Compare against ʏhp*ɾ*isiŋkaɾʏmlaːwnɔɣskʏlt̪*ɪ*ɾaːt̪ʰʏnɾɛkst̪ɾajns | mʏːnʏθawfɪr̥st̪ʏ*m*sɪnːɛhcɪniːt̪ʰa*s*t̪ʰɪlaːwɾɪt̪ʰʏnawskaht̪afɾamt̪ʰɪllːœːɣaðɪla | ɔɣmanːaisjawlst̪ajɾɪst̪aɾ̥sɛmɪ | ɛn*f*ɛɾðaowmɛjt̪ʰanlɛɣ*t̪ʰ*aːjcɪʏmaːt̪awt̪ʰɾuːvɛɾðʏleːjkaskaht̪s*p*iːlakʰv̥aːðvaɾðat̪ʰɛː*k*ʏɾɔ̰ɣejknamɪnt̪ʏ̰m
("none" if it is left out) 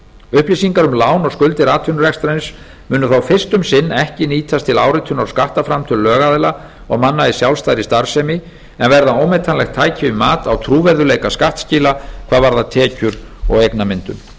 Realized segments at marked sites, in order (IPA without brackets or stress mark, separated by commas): l, ɪ, m, s, v, t̪ʰ, c, c